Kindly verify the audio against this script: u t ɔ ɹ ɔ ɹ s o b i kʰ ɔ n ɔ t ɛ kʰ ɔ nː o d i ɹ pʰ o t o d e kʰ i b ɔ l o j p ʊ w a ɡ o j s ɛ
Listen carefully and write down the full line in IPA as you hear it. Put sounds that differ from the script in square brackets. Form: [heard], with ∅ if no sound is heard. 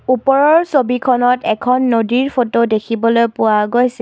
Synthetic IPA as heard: u [p] ɔ ɹ ɔ ɹ s o b i kʰ ɔ n ɔ t ɛ kʰ ɔ nː o d i ɹ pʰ o t o d e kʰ i b ɔ l o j p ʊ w a ɡ o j s ɛ